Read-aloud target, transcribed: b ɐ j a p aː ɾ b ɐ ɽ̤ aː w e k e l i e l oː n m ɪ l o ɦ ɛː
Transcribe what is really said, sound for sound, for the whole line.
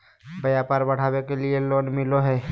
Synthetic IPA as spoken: b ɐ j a p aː ɾ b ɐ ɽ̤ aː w e k e l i e l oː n m ɪ l o ɦ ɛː